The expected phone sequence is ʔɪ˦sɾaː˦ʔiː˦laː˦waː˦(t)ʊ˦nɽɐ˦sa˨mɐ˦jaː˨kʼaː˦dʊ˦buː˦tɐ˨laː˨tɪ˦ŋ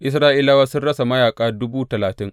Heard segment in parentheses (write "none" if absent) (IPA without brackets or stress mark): s